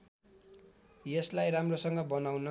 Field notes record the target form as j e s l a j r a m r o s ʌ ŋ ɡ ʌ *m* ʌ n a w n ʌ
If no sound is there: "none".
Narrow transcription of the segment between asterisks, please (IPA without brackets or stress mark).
b